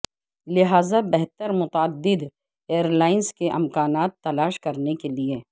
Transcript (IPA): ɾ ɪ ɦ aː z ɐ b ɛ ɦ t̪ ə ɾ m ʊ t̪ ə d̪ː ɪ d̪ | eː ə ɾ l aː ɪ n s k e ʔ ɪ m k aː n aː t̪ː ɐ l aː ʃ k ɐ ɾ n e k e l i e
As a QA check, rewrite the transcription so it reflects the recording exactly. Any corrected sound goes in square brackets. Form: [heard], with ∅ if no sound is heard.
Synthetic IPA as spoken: [l] ɪ ɦ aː z [a] b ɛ ɦ t̪ ə ɾ m ʊ t̪ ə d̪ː ɪ d̪ | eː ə ɾ l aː ɪ n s k e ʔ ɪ m k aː n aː t̪ː ɐ l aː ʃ k ɐ ɾ n e k e l i e